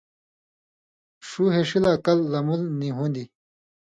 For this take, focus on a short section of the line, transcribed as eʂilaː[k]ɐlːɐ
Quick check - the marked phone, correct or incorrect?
correct